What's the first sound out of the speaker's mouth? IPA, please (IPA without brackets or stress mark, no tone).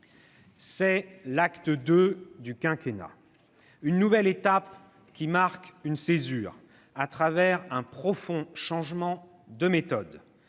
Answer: s